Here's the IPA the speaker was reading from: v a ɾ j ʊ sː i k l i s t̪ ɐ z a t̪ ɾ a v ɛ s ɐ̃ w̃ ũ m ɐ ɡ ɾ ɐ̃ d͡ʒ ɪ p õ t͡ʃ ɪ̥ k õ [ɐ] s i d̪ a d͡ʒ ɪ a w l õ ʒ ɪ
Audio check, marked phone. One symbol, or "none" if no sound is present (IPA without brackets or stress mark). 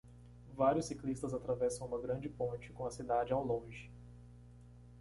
ɐ